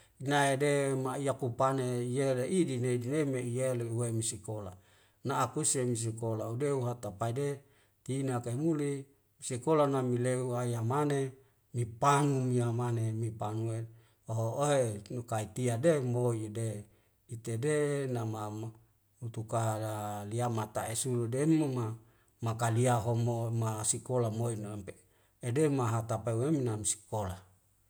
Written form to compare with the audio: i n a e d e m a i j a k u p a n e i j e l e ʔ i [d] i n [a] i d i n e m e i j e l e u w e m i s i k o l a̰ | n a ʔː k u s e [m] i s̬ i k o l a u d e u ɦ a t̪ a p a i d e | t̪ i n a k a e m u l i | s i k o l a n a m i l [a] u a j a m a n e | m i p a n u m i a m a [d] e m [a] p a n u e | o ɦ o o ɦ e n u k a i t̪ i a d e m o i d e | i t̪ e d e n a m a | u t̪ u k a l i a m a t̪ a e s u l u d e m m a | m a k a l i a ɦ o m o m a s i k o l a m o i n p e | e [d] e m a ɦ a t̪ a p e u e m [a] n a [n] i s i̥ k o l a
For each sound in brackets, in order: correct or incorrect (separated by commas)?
correct, incorrect, correct, incorrect, incorrect, incorrect, correct, incorrect, incorrect